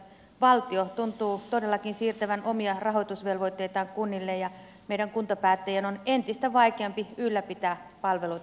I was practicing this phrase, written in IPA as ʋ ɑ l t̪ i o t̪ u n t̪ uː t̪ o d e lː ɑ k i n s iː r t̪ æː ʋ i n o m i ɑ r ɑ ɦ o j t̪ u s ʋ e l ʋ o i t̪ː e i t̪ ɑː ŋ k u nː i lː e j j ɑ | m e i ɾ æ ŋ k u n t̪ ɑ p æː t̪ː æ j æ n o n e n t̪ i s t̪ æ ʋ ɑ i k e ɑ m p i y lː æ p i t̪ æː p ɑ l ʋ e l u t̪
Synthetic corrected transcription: ʋ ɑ l t̪ i o t̪ u n t̪ uː t̪ o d e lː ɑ k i n s iː r t̪ æ ʋ æ n o m i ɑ r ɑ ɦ o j t̪ u s ʋ e l ʋ o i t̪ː e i t̪ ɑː ŋ k u nː i lː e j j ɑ | m e i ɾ æ ŋ k u n t̪ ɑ p æː t̪ː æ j æ n o n e n t̪ i s t̪ æ ʋ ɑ i k e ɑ m p i y lː æ p i t̪ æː p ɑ l ʋ e l u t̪